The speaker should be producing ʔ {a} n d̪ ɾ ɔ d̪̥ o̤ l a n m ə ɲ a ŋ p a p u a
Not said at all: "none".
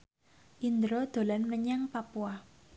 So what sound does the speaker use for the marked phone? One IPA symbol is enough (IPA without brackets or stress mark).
i